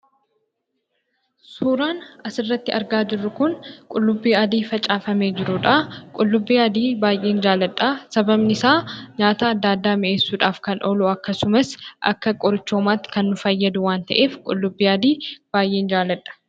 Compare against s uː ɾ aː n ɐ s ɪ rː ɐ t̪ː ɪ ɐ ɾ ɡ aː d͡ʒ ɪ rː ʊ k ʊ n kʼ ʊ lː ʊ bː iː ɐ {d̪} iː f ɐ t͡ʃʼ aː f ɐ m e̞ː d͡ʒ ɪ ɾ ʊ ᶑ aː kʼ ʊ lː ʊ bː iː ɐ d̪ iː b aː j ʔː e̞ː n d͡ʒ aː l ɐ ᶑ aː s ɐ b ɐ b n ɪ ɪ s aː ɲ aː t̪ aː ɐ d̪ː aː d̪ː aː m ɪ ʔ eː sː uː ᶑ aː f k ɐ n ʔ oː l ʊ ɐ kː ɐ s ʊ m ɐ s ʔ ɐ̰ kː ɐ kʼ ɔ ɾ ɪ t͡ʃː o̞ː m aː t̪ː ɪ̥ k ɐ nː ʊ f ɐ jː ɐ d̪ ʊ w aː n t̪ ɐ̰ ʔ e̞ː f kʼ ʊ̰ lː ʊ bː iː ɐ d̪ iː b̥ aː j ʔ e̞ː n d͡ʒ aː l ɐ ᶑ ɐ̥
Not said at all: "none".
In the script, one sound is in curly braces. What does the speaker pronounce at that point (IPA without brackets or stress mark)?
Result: d̪